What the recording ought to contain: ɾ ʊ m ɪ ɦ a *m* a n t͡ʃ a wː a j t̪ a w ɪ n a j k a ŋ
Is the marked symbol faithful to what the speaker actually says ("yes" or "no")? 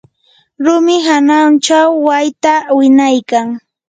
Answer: no